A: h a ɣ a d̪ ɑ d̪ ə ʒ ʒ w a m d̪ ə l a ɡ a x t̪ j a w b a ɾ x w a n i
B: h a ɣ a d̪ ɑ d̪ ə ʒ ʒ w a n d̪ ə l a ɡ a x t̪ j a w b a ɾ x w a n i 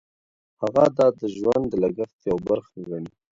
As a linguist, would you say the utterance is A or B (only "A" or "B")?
B